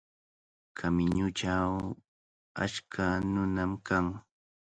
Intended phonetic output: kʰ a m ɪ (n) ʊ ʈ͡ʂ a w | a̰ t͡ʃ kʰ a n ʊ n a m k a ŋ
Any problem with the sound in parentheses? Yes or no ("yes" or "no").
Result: yes